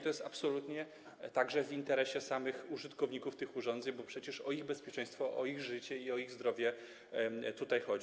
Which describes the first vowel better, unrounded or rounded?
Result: rounded